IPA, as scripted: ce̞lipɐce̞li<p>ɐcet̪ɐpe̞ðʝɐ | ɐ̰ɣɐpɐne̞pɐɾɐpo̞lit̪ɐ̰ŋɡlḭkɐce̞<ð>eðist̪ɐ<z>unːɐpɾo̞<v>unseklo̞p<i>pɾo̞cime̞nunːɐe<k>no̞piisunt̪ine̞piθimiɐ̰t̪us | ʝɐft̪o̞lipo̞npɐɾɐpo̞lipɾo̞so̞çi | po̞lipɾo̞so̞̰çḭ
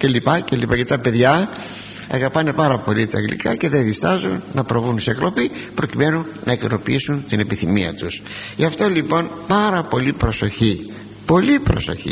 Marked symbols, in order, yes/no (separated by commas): yes, yes, yes, yes, yes, yes